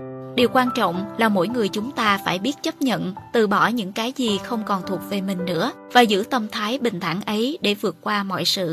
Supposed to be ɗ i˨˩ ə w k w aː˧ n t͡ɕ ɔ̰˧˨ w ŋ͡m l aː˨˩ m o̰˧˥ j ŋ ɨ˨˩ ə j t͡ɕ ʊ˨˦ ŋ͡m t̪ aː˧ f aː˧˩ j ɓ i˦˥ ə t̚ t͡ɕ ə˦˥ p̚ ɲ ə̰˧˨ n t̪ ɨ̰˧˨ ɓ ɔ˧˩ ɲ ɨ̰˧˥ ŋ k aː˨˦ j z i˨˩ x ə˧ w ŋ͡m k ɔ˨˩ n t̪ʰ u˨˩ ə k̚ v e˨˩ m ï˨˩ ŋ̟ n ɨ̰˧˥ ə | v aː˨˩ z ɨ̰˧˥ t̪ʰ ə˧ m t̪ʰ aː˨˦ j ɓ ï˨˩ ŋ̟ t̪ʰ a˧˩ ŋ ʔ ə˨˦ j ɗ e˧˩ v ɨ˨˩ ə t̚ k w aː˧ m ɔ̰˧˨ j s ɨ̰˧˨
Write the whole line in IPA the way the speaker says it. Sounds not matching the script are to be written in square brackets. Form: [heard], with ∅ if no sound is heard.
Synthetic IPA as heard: ɗ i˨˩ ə w k w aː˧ n t͡ɕ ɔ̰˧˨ w ŋ͡m l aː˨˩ m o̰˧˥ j ŋ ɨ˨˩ ə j t͡ɕ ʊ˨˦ ŋ͡m t̪ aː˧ f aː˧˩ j ɓ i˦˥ ə t̚ t͡ɕ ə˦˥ p̚ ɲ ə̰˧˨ n t̪ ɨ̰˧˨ ɓ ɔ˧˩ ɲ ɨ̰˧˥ ŋ k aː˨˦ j z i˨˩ x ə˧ w ŋ͡m k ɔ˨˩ n t̪ʰ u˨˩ ə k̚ v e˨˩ m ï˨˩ ŋ̟ n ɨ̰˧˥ ə | v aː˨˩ z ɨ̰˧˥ [t̪] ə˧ m t̪ʰ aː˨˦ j ɓ ï˨˩ ŋ̟ t̪ʰ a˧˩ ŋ ʔ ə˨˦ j ɗ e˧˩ v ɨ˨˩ ə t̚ k w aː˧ m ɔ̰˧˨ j s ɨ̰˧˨